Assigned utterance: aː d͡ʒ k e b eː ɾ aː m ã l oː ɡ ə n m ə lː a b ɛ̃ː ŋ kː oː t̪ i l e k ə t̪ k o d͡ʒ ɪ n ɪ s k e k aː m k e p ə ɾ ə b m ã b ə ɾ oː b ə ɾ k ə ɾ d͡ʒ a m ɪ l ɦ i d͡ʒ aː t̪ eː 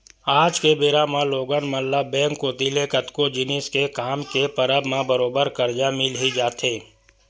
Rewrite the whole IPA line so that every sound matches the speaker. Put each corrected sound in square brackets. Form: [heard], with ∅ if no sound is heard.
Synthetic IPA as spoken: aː d͡ʒ k e b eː ɾ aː m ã l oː ɡ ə n m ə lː a b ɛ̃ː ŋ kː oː t̪ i l e k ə t̪ k o d͡ʒ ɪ n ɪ s k e k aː m k e p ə ɾ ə b m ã b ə ɾ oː b ə ɾ k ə ɾ d͡ʒ a m ɪ l ɦ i d͡ʒ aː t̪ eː